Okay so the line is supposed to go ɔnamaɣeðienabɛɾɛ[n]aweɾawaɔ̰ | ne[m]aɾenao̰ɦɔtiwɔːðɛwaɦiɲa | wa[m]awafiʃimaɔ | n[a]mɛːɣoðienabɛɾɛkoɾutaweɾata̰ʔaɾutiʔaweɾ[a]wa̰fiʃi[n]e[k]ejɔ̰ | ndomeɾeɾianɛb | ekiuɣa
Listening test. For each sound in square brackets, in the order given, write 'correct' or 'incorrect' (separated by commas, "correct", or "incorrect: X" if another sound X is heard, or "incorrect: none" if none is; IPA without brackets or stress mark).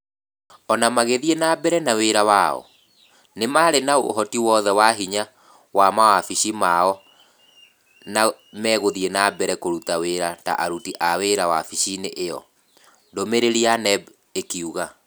correct, correct, correct, correct, correct, correct, incorrect: ʔ